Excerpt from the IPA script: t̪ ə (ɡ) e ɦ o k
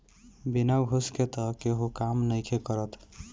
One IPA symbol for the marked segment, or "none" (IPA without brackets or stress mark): k